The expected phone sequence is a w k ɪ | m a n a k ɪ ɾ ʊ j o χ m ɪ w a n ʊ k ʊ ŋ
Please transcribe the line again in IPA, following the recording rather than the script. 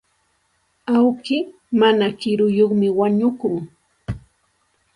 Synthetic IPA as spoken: a w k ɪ | m a n a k ɪ ɾ ʊ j o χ m ɪ w a ɲ ʊ k ʊ ŋ